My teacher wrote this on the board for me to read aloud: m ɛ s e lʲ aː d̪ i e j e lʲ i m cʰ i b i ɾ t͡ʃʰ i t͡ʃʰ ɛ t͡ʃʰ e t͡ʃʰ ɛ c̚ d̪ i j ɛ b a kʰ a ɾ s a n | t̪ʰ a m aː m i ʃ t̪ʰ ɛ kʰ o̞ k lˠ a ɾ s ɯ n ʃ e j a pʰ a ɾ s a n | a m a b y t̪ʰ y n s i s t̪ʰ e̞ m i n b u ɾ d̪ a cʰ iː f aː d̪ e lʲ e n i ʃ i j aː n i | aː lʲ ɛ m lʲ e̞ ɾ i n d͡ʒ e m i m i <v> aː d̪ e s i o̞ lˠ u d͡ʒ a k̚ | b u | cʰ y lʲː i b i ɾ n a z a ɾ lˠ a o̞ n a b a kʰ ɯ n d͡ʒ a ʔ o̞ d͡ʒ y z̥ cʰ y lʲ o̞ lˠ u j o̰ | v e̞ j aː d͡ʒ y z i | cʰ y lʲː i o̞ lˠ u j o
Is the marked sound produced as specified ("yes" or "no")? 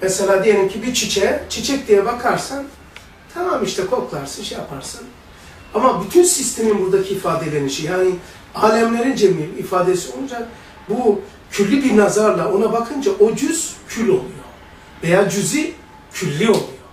no